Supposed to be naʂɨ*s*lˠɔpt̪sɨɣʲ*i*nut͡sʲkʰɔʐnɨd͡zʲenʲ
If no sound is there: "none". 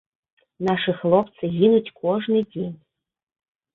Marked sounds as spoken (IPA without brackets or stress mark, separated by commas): x, i